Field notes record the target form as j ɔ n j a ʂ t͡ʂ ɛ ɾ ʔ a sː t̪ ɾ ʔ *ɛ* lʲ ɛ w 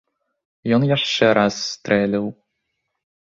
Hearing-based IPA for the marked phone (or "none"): ɛ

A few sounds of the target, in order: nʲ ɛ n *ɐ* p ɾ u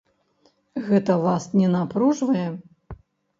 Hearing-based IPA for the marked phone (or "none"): a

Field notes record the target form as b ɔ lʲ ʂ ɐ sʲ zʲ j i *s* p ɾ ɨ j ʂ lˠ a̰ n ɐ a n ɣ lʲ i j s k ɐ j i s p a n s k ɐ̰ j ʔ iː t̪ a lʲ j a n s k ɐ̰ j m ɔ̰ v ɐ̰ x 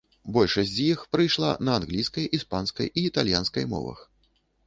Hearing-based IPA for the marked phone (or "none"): x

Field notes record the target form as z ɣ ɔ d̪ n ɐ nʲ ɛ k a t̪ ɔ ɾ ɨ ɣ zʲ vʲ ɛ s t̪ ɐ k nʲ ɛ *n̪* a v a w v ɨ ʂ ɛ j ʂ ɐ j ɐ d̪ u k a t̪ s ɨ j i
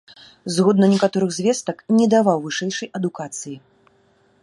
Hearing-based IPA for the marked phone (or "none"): d̪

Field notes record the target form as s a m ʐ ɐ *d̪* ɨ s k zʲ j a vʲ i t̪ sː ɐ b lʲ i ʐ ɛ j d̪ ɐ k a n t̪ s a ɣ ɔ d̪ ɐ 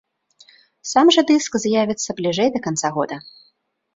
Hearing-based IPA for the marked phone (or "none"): d̪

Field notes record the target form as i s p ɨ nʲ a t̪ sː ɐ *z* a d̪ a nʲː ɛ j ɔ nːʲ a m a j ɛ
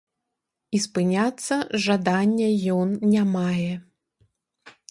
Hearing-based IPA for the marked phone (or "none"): ʐ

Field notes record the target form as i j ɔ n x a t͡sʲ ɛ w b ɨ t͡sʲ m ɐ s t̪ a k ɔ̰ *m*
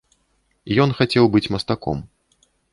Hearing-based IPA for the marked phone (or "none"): m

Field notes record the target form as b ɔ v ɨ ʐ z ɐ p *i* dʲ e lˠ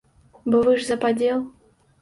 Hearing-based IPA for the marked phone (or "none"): a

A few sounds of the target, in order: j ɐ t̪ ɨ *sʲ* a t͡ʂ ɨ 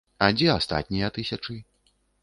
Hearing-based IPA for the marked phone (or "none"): sʲ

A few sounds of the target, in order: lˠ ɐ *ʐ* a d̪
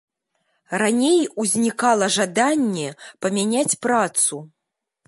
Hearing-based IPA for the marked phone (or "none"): ʐ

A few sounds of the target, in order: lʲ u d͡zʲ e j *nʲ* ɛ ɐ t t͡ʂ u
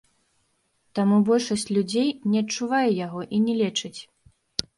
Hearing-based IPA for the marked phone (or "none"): nʲ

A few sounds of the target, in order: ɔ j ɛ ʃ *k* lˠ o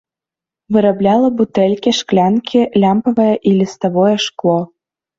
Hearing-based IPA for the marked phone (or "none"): k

